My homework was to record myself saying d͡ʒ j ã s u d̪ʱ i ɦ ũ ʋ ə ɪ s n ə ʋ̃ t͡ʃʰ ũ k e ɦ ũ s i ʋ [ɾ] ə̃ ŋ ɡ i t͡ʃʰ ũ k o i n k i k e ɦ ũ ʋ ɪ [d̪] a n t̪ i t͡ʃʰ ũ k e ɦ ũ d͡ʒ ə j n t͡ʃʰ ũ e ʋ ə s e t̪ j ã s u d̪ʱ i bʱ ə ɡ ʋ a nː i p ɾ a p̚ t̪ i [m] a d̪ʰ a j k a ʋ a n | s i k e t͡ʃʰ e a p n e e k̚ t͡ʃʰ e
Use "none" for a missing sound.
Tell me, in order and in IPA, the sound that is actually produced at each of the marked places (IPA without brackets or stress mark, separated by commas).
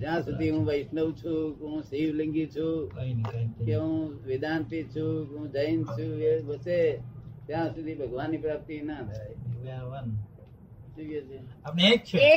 l, d̪, n